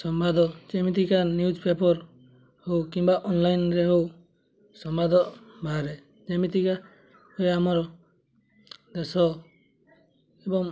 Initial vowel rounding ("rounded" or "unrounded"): rounded